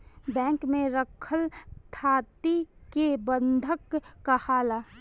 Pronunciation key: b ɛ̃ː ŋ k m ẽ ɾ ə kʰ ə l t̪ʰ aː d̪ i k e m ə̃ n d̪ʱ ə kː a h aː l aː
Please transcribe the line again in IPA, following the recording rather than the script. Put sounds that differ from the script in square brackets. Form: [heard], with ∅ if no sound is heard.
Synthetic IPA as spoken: b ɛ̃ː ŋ k m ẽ ɾ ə kʰ ə l t̪ʰ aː [t̪] i k e [b] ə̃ n d̪ʱ ə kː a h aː l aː